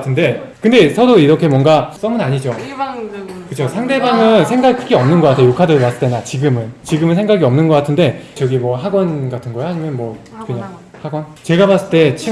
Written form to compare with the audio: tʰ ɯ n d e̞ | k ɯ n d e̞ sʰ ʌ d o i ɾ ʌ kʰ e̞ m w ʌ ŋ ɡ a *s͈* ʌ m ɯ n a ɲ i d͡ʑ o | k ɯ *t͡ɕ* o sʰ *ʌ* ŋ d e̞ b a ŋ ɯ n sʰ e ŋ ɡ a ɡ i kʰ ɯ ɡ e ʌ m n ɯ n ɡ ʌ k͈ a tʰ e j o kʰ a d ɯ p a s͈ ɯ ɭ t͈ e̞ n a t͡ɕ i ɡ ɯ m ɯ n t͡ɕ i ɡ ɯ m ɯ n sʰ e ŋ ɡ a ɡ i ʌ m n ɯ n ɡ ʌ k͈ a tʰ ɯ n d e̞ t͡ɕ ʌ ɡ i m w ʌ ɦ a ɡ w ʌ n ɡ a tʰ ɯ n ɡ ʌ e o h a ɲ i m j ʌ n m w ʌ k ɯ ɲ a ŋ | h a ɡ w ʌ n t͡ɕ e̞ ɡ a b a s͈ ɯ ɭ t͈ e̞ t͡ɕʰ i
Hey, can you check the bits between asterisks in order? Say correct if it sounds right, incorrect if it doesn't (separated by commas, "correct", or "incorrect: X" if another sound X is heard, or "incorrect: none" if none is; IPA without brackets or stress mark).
correct, incorrect: t͡ɕʰ, incorrect: a